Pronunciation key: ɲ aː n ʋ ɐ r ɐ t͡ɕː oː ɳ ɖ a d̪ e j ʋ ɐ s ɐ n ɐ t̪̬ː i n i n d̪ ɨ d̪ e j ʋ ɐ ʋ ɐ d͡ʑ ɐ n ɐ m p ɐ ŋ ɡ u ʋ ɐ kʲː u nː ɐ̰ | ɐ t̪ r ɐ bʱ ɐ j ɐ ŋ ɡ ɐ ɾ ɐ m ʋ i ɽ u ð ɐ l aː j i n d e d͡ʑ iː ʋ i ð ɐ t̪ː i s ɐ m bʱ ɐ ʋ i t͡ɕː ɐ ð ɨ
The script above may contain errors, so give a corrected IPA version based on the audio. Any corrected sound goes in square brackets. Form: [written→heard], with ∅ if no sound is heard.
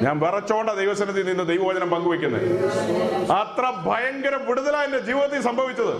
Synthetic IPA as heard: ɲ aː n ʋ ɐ r ɐ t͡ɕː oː ɳ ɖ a d̪ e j ʋ ɐ s ɐ n ɐ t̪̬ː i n i n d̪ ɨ d̪ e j ʋ ɐ ʋ ɐ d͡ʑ ɐ n ɐ m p ɐ ŋ ɡ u ʋ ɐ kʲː u nː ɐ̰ | ɐ t̪ r ɐ bʱ ɐ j ɐ ŋ ɡ ɐ ɾ ɐ m ʋ i ɽ u ð ɐ l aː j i n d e d͡ʑ iː ʋ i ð ɐ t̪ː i s ɐ m bʱ ɐ ʋ i t͡ɕː ɐ ð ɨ